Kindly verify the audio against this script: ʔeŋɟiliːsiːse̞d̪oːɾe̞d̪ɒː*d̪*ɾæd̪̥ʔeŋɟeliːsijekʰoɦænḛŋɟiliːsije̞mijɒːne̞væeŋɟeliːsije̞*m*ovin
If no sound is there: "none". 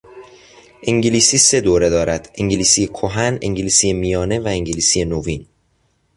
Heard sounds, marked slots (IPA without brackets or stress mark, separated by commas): none, n